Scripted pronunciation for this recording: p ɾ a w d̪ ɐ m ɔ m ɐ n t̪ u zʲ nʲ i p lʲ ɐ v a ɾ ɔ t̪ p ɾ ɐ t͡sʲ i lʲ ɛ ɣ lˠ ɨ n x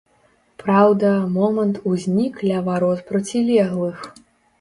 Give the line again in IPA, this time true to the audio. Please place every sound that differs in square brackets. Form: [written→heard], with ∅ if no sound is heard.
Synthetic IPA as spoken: p ɾ a w d̪ ɐ m ɔ m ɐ n t̪ u zʲ nʲ i [p→k] lʲ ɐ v a ɾ ɔ t̪ p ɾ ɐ t͡sʲ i lʲ ɛ ɣ lˠ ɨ [n→∅] x